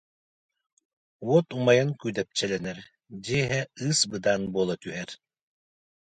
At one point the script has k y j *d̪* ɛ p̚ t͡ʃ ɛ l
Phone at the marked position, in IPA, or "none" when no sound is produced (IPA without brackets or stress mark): d̪